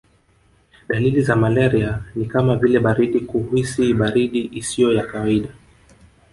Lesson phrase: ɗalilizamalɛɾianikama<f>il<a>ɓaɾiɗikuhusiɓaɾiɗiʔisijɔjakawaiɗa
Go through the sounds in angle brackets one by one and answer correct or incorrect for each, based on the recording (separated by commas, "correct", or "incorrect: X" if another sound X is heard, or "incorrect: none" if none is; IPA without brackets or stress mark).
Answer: incorrect: v, incorrect: ɛ